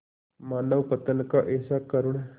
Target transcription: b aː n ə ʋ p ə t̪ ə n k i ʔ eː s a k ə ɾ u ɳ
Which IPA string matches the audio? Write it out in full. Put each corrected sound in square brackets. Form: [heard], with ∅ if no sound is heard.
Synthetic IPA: [m] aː n ə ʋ p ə t̪ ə n k [a] ʔ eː s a k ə ɾ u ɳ